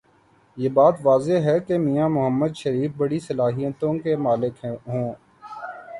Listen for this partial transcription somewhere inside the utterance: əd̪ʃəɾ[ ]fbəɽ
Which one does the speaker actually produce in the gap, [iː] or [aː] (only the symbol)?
iː